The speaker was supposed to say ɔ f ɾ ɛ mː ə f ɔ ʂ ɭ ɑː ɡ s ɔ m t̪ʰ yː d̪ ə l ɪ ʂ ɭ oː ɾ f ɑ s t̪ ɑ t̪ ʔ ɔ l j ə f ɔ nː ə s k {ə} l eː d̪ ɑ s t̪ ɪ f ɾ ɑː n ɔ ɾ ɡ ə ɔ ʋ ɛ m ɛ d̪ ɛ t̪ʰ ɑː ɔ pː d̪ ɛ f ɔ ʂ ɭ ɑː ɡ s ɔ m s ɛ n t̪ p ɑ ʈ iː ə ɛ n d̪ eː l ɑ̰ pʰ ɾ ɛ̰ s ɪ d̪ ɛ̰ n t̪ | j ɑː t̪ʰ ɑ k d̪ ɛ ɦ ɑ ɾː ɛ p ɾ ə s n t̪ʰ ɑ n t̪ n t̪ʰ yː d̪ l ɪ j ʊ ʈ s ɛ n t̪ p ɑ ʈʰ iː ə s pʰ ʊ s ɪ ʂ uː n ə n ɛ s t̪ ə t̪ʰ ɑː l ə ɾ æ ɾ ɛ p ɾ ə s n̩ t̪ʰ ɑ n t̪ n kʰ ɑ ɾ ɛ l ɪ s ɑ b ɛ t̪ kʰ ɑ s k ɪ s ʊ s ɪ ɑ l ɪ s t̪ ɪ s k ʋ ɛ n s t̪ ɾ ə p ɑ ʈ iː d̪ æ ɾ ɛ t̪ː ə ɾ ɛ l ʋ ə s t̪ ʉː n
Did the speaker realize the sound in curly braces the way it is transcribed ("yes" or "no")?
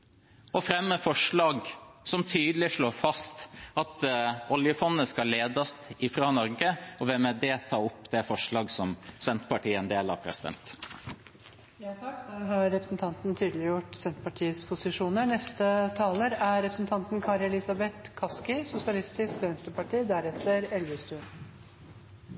no